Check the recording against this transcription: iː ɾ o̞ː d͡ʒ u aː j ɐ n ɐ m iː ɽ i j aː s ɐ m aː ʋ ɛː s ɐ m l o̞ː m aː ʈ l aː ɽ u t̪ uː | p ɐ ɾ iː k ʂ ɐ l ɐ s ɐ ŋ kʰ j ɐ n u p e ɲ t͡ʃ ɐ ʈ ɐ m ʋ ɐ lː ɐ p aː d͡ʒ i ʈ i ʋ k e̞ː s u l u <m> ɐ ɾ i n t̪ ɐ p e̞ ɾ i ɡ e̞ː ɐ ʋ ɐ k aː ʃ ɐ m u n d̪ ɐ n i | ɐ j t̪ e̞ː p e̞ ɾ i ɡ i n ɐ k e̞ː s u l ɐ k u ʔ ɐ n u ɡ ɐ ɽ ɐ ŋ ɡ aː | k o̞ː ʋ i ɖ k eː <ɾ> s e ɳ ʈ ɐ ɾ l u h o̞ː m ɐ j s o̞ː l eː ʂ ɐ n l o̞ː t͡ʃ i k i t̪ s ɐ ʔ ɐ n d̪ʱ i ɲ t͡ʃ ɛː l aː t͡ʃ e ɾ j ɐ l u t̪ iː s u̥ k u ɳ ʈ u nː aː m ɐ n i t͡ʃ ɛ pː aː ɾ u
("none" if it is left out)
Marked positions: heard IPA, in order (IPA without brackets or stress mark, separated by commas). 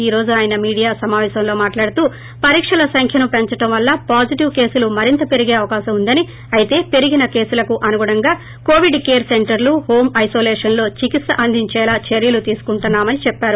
m, ɾ